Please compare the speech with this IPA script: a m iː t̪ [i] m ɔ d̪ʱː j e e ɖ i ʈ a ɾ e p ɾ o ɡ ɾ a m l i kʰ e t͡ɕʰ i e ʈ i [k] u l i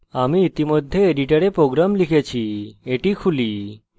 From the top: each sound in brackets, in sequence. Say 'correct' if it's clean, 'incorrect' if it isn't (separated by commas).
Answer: correct, incorrect